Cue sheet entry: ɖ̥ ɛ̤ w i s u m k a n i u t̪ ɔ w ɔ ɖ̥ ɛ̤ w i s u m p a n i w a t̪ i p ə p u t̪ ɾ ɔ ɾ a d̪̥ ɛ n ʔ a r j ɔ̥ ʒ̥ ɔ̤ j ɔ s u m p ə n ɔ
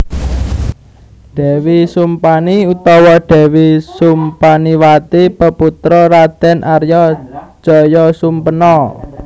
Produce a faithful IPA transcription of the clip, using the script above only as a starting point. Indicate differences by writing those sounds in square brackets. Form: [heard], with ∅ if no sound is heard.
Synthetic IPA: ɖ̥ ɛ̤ w i s u m [p] a n i u t̪ ɔ w ɔ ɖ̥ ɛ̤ w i s u m p a n i w a t̪ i p ə p u t̪ ɾ ɔ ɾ a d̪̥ ɛ n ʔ a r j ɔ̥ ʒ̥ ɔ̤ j ɔ s u m p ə n ɔ